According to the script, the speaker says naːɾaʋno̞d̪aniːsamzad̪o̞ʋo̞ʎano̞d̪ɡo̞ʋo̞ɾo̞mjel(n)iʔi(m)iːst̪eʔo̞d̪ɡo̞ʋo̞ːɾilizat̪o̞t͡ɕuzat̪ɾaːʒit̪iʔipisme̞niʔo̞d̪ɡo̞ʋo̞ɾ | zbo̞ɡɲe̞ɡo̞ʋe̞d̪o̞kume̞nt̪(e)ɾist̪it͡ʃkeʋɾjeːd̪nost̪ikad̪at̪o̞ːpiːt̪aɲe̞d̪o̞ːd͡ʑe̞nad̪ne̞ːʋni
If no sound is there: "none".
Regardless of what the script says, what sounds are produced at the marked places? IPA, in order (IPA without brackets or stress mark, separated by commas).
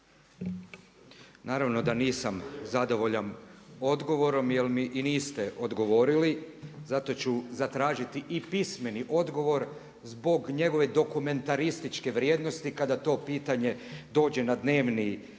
m, n, a